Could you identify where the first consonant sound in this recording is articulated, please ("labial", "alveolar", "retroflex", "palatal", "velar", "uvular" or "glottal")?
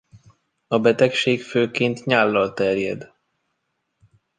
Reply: labial